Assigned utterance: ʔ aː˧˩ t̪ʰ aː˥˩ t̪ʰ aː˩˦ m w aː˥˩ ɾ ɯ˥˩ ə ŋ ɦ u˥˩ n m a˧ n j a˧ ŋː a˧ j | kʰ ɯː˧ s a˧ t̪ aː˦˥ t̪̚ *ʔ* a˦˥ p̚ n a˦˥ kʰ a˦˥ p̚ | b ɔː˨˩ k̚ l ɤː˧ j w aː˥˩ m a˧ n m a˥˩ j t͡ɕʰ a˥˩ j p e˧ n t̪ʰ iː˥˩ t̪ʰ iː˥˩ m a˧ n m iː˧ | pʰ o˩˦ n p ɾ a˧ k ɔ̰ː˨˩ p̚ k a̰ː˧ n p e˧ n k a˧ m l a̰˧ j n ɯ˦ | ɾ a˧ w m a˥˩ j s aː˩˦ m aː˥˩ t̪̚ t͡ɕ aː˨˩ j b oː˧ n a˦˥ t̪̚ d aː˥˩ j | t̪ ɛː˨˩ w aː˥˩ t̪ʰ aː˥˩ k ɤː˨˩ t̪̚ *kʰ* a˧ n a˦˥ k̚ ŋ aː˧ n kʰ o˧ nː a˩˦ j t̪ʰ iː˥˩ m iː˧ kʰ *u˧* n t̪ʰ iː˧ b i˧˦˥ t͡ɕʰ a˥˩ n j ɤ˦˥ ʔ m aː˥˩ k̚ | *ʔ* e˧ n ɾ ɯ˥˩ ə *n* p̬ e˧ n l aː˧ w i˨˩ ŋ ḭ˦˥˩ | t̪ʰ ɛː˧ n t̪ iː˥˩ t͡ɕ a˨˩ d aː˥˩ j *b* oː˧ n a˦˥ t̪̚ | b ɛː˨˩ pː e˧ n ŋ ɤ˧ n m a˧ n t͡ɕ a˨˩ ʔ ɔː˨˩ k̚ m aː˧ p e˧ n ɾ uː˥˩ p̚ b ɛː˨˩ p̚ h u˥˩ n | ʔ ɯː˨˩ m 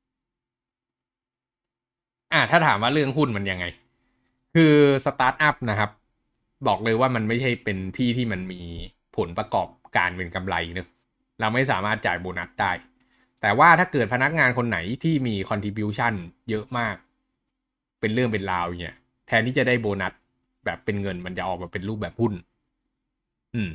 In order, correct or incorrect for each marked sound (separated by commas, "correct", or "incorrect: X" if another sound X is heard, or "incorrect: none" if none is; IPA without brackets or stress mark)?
correct, incorrect: pʰ, incorrect: ɔ˧, incorrect: p, incorrect: ŋ, correct